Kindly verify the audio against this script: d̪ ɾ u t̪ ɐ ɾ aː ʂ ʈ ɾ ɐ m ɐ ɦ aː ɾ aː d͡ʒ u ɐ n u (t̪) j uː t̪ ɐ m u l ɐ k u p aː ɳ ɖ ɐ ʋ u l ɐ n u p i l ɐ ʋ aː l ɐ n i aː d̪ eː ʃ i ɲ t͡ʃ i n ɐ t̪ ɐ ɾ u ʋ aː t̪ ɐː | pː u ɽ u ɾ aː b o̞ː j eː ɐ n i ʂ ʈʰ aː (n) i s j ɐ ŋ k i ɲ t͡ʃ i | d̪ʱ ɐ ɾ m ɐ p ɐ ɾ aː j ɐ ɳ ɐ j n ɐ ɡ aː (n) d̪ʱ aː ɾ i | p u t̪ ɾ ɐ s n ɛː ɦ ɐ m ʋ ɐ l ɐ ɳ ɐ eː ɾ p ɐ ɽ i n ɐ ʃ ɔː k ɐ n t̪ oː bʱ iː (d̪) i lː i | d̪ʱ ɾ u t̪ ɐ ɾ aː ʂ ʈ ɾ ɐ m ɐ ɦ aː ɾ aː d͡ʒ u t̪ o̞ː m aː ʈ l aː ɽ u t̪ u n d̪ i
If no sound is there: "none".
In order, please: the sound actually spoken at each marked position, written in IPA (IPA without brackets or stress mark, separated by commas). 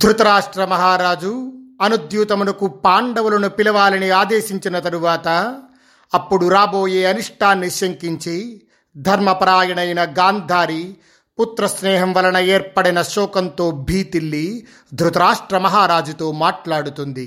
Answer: d̪, nː, n, t̪